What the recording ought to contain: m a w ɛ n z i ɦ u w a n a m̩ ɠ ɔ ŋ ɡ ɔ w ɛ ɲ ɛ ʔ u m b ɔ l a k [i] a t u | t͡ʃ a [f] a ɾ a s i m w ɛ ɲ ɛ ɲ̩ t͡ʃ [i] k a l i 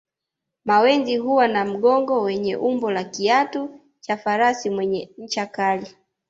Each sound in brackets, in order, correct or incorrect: correct, correct, incorrect

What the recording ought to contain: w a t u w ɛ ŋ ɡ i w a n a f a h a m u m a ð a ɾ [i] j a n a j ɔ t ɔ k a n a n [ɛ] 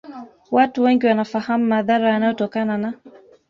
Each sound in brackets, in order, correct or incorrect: incorrect, incorrect

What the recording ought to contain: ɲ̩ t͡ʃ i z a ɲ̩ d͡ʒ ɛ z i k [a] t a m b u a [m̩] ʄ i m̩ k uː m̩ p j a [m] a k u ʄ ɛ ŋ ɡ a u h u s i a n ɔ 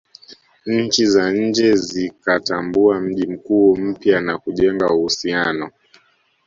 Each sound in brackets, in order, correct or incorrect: correct, correct, incorrect

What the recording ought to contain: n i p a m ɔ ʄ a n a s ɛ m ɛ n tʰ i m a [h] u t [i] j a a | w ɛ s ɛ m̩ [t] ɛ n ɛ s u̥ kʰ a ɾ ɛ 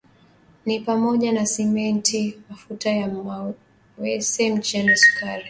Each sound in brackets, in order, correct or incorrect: incorrect, incorrect, incorrect

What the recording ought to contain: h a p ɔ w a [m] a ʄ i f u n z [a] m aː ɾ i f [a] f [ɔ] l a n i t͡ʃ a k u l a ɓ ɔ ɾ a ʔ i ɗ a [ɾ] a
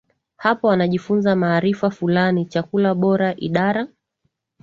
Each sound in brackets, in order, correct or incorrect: incorrect, correct, correct, incorrect, correct

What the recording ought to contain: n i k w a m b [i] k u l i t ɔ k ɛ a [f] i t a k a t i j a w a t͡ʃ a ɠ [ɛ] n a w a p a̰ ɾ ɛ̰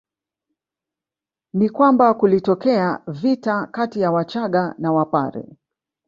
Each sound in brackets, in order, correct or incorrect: incorrect, incorrect, incorrect

